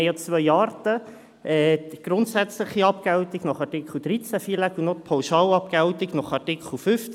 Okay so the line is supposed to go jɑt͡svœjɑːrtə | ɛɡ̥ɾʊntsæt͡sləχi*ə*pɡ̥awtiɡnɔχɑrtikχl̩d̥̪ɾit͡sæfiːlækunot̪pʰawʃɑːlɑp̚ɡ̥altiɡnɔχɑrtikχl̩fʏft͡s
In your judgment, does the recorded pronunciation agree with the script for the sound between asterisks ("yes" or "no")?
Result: no